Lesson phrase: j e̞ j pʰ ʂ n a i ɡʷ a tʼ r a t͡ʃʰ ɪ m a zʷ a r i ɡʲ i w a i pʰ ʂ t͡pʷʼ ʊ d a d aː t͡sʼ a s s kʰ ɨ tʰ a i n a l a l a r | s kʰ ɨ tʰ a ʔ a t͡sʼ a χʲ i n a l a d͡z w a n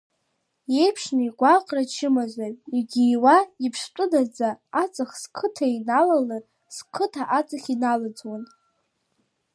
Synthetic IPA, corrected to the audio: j e̞ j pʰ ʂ n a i ɡʷ a qʼ r a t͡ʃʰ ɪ m a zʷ a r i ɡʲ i w a i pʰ ʂ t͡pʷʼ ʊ d a d͡z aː t͡sʼ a χ s kʰ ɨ tʰ a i n a l a l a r | s kʰ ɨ tʰ a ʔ a t͡sʼ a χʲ i n a l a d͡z w a n